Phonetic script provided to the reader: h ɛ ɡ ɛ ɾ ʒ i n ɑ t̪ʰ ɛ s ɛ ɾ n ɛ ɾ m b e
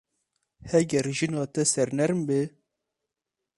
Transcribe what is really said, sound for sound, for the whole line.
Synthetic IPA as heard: h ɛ ɡ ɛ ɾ ʒ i n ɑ t̪ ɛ s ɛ ɾ n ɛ ɾ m b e